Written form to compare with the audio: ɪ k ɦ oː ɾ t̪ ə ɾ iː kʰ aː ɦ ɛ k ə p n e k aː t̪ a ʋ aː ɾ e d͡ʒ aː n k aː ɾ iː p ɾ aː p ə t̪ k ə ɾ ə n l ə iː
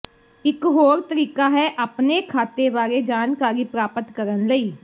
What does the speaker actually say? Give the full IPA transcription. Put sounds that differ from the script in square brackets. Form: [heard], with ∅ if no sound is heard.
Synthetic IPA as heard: ɪ k ɦ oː ɾ t̪ ə ɾ iː [k] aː ɦ ɛ [ʔ] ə p n e [kʰ] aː t̪ [e] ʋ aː ɾ e d͡ʒ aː n k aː ɾ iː p ɾ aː p ə t̪ k ə ɾ ə n l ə iː